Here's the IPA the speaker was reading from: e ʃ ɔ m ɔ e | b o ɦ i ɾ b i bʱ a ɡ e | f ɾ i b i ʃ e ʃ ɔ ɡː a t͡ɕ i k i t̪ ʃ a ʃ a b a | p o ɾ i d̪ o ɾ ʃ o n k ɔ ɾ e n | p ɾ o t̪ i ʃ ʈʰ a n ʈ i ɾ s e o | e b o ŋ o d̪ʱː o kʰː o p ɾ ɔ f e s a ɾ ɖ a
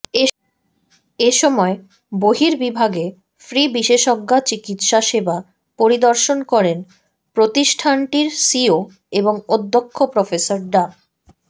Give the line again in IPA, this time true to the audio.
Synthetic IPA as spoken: e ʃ ɔ m ɔ e | b o ɦ i ɾ b i bʱ a ɡ e | f ɾ i b i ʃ e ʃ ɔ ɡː a t͡ɕ i k i t̪ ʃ a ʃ e b a | p o ɾ i d̪ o ɾ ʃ o n k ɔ ɾ e n | p ɾ o t̪ i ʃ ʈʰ a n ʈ i ɾ s i o | e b o ŋ o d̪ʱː o kʰː o p ɾ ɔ f e s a ɾ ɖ a